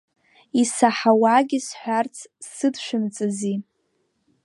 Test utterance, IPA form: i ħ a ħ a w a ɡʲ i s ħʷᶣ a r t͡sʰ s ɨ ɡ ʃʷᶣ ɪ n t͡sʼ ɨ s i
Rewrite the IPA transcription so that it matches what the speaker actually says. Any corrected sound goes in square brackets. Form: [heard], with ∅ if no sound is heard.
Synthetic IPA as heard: i [s] a ħ a w a ɡʲ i s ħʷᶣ a r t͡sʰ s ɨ [d] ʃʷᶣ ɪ [m] t͡sʼ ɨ [z] i

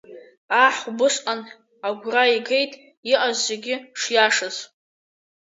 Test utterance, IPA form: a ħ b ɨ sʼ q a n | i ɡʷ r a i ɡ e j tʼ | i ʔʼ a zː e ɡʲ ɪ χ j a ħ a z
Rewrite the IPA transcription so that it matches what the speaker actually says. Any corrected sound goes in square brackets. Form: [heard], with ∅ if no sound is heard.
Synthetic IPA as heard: a ħ b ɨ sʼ q a n | [a] ɡʷ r a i ɡ e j tʼ | i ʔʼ a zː e ɡʲ ɪ [ʂ] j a [ʂ] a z

